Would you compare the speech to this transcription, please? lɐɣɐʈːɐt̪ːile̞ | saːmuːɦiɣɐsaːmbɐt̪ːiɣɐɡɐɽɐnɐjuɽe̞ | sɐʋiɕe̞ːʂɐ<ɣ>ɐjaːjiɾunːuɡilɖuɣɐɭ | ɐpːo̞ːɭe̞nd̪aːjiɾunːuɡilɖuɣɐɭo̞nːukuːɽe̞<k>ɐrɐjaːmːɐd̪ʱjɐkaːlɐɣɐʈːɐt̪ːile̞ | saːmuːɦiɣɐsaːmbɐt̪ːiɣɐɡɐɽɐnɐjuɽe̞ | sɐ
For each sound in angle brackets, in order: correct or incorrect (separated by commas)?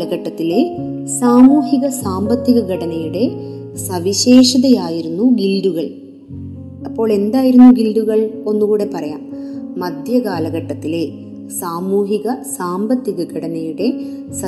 incorrect, incorrect